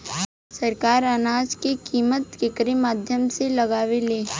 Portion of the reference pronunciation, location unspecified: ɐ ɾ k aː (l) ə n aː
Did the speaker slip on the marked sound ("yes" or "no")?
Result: yes